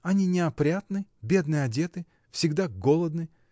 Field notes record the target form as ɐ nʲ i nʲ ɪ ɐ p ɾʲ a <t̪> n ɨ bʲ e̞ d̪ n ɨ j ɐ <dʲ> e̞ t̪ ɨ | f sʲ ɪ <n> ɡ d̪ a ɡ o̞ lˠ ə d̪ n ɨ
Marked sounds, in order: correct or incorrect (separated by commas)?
correct, correct, incorrect